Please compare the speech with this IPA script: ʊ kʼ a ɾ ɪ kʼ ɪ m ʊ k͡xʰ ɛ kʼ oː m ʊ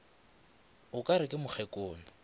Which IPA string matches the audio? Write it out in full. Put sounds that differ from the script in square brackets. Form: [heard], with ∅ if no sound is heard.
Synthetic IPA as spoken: ʊ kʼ a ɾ ɪ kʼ ɪ m ʊ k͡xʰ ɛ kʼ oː [n] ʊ